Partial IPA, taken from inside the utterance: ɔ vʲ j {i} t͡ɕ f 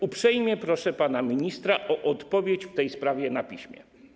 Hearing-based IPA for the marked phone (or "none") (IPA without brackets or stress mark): e